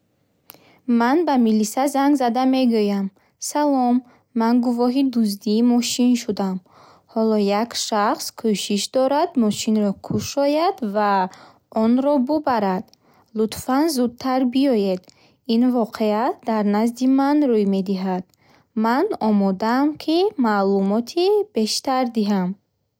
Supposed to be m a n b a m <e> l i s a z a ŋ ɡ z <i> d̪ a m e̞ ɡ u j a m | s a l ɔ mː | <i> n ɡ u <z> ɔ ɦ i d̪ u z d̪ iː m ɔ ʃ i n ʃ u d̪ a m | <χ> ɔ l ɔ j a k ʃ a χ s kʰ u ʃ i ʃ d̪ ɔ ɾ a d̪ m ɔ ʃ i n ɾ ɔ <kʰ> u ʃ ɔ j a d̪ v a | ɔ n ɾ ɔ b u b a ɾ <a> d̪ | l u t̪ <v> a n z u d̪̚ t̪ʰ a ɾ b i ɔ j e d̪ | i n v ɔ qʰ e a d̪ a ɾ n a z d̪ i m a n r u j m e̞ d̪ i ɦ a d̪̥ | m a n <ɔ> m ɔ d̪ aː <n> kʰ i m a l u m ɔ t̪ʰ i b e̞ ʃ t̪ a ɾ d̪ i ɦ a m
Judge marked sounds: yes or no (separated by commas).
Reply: no, no, no, no, no, yes, yes, no, yes, no